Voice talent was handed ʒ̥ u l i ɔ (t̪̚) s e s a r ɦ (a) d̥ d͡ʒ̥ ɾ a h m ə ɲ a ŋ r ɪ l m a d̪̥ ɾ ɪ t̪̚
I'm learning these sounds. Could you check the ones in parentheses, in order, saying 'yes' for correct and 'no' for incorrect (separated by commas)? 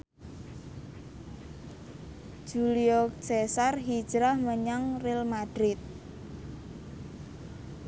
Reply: no, no